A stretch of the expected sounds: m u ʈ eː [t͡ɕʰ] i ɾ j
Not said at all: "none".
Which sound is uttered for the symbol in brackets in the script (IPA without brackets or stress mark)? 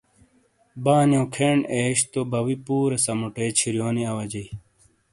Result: t͡ɕʰ